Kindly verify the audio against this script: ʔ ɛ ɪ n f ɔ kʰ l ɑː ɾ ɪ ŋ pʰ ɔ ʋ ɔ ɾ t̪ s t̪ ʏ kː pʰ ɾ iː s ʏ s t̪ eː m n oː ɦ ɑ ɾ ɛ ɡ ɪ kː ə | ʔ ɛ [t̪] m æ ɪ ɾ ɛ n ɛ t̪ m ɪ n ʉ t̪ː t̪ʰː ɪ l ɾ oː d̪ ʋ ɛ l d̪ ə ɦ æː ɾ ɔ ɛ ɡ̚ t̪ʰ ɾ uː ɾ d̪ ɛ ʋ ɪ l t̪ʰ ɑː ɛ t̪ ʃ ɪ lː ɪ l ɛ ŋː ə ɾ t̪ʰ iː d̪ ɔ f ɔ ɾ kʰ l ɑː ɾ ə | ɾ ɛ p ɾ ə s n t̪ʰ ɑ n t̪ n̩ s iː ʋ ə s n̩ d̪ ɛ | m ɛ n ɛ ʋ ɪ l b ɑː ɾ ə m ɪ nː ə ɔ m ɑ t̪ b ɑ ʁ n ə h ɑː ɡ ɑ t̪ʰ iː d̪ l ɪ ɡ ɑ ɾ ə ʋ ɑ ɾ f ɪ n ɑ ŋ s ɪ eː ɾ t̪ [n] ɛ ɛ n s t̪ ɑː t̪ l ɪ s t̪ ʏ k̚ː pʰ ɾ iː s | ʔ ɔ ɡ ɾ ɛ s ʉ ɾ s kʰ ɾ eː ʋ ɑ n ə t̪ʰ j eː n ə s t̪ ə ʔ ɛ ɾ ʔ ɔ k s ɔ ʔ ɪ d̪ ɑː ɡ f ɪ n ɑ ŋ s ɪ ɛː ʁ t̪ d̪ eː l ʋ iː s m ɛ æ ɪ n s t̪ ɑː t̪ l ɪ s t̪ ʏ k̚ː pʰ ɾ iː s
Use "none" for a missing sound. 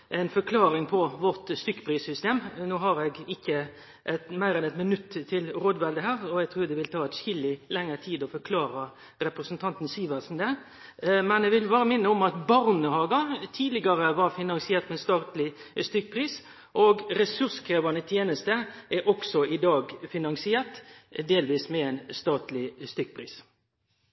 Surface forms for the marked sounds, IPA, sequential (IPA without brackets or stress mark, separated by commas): t̪, m